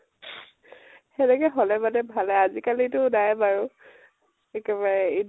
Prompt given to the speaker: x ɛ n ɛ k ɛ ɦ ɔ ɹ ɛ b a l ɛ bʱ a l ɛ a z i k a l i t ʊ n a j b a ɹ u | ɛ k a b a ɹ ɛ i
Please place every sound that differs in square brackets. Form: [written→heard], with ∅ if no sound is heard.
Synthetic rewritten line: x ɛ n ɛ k ɛ ɦ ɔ [ɹ→l] ɛ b a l ɛ bʱ a l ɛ a z i k a l i t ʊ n a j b a ɹ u | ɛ k [a→ɛ] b a ɹ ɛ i

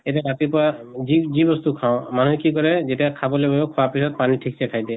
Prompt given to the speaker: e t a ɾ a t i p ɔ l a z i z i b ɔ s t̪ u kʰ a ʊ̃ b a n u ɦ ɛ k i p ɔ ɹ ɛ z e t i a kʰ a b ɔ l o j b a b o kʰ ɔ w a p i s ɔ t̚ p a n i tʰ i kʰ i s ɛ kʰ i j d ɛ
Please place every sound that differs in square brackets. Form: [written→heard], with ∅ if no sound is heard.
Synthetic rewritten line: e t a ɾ a t i p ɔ [l→ɹ] a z i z i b ɔ s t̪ u kʰ a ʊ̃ [b→m] a n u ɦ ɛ k i [p→k] ɔ ɹ ɛ z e t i a kʰ a b ɔ l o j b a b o kʰ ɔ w a p i s ɔ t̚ p a n i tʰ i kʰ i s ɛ kʰ [i→a] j d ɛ

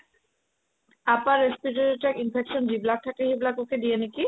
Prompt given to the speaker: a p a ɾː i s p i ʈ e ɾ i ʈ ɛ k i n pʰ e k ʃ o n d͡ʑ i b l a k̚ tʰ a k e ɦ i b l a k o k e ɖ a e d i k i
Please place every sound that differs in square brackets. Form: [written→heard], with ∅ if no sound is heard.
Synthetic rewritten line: a p a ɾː [i→e] s p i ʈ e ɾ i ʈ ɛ k i n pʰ e k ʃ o n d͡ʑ i b l a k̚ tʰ a k e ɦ i b l a k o k e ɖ [a→i] e [d→n] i k i

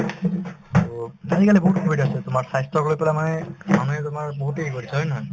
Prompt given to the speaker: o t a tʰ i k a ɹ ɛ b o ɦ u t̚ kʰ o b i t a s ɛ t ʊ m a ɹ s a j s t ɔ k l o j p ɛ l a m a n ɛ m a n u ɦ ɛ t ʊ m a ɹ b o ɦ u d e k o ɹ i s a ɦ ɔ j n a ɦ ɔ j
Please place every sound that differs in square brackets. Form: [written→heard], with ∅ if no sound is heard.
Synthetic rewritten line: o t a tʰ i k a [ɹ→l] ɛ b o ɦ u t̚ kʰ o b i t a s ɛ t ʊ m a ɹ s a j s t ɔ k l o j p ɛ l a m a n ɛ m a n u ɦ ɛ t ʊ m a ɹ b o ɦ u [d→t] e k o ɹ i s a ɦ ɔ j n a ɦ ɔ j

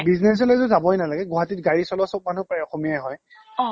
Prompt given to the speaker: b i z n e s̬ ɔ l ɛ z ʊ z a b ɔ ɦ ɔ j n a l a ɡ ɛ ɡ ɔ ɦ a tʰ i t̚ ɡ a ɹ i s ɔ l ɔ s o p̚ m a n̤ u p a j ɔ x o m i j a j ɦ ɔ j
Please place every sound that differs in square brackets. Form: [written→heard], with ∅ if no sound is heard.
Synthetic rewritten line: b i z n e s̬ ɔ l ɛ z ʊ z a b ɔ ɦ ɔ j n a l a ɡ ɛ ɡ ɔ ɦ a [tʰ→t] i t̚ ɡ a ɹ i s ɔ l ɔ s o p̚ m a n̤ u p a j ɔ x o m i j a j ɦ ɔ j

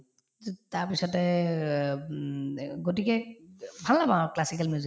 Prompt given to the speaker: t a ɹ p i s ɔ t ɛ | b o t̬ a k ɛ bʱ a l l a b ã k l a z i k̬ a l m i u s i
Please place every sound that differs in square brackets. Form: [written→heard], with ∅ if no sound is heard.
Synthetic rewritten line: t a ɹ p i s ɔ t ɛ | [b→ɡ] o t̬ [a→i] k ɛ bʱ a l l a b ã k l a [z→s] i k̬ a l m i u [s→z] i

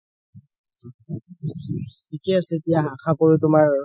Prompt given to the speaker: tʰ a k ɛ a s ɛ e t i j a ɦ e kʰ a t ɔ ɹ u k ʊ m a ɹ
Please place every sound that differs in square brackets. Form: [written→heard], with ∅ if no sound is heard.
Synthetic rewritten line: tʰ [a→i] k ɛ a s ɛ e t i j a ɦ [e→a] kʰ a [t→p] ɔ ɹ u [k→t] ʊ m a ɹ

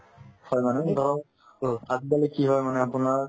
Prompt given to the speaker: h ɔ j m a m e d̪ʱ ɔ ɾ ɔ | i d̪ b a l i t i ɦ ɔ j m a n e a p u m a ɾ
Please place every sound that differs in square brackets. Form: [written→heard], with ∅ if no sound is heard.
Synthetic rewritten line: h ɔ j m a [m→n] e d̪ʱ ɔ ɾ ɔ | [i→a] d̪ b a l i [t→k] i ɦ ɔ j m a n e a p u [m→n] a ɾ

